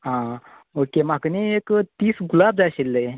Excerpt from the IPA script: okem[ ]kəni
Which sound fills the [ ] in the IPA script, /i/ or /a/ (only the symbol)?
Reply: a